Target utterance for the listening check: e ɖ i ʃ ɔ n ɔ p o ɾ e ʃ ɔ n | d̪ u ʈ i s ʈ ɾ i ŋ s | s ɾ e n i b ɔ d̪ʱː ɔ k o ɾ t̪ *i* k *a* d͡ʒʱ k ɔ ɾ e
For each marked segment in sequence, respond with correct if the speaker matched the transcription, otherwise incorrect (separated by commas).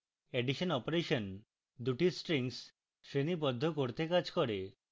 incorrect, correct